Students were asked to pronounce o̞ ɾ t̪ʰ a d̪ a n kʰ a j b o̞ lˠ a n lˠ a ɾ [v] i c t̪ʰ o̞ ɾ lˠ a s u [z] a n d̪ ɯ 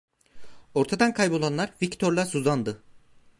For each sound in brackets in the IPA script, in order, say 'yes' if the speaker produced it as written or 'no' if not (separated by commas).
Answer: yes, yes